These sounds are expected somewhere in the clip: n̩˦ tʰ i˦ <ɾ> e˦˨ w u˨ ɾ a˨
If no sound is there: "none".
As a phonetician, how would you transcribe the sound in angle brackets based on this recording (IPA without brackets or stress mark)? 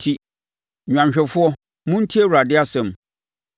none